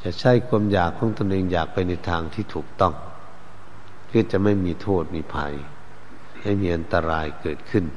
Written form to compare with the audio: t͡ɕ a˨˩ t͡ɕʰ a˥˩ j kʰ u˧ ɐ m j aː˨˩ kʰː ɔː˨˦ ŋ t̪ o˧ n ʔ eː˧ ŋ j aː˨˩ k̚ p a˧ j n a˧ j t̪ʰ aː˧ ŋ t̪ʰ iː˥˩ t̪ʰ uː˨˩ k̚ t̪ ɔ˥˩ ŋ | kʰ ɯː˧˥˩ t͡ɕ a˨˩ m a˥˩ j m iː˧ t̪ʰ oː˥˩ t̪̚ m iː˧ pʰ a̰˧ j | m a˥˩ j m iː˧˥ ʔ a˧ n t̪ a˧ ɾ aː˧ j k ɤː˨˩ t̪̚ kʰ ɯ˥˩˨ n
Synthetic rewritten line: t͡ɕ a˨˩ t͡ɕʰ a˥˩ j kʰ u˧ ə m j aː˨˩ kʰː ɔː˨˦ ŋ t̪ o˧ n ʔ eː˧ ŋ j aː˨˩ k̚ p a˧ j n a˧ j t̪ʰ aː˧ ŋ t̪ʰ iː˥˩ t̪ʰ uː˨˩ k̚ t̪ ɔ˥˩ ŋ | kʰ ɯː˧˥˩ t͡ɕ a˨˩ m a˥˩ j m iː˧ t̪ʰ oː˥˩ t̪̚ m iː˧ pʰ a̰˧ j | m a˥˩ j m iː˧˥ ʔ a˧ n t̪ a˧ ɾ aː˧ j k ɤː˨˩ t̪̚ kʰ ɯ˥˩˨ n